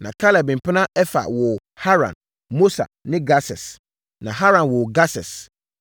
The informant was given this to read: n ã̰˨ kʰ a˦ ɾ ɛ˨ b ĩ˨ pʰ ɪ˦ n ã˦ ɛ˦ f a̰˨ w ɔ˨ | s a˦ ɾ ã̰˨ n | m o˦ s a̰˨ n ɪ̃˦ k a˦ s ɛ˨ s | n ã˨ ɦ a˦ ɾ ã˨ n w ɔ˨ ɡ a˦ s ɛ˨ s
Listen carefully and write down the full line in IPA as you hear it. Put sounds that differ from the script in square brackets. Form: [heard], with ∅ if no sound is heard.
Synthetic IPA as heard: n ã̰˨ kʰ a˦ [l] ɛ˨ b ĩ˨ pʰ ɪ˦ n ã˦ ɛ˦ f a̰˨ w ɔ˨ | [h] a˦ ɾ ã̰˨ n | m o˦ s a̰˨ n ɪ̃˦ [ɡ] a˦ s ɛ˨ s | n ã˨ ɦ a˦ ɾ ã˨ n w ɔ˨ ɡ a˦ s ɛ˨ s